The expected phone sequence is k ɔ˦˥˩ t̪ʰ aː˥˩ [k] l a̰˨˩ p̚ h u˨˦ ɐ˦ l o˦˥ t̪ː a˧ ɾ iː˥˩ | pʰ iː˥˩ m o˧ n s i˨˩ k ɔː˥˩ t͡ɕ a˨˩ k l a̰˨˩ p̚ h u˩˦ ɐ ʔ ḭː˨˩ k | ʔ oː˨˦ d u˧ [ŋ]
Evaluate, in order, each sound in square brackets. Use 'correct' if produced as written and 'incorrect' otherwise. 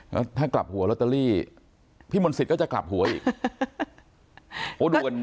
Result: correct, incorrect: n

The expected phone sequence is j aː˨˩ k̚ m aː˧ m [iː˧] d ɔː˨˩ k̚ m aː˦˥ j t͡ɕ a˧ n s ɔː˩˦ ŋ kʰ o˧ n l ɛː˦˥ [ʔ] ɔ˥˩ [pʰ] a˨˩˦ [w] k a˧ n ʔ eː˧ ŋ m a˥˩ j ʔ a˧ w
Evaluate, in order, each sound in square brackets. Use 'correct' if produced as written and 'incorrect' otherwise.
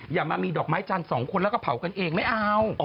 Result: correct, incorrect: k, correct, correct

